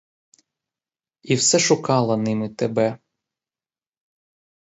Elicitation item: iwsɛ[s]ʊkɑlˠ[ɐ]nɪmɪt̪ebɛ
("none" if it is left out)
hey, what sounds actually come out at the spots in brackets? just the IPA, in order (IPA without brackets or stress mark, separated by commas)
ʃ, ɐ